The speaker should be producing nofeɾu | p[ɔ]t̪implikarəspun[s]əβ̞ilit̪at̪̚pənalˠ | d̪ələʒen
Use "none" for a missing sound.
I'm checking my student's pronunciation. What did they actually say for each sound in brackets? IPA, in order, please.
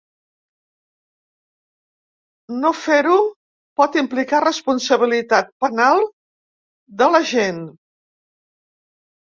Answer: ɔ, s

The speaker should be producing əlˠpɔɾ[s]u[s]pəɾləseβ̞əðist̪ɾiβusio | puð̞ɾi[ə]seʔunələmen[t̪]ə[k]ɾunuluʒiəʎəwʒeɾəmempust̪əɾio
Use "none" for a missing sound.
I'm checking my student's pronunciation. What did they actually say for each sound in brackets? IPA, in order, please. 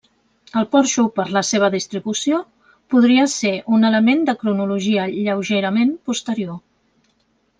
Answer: ʃ, none, ə, d̪, k

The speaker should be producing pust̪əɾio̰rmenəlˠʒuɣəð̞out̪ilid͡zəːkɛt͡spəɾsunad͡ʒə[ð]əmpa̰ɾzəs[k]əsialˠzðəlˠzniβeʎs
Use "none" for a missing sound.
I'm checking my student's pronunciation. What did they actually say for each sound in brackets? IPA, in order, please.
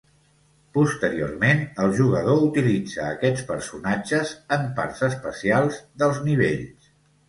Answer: z, p

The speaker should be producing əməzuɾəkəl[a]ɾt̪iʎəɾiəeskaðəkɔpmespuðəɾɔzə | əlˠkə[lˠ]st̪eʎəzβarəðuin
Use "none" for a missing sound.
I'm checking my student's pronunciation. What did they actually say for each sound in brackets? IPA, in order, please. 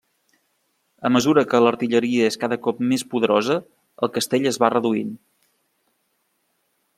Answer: ə, none

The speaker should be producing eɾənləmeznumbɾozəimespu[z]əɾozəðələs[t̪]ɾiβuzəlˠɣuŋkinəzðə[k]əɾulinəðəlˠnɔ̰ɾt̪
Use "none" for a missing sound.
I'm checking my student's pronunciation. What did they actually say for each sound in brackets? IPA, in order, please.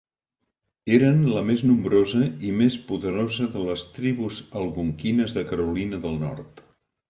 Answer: ð, t̪, k

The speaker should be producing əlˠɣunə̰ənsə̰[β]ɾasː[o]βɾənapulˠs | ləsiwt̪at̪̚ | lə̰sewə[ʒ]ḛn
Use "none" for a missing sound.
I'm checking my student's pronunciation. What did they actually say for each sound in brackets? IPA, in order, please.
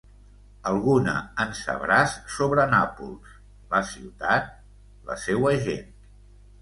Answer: β, o, ʒ

